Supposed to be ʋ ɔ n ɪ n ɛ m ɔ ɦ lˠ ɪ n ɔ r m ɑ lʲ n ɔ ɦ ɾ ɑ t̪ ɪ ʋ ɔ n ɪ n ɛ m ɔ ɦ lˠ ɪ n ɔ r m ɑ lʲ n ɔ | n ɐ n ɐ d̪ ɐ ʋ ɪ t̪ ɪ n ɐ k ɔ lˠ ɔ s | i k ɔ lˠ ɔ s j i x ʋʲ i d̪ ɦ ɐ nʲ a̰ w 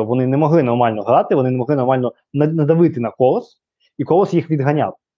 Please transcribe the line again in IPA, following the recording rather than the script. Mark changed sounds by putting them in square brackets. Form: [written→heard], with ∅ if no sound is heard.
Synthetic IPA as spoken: ʋ ɔ n ɪ n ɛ m ɔ ɦ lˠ ɪ n ɔ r m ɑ lʲ n ɔ ɦ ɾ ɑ t̪ ɪ ʋ ɔ n ɪ n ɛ m ɔ ɦ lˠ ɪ n ɔ r m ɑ lʲ n ɔ | n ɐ n ɐ d̪ ɐ ʋ ɪ t̪ ɪ n ɐ k ɔ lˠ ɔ s | i k ɔ lˠ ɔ s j i x ʋʲ i d̪ ɦ ɐ nʲ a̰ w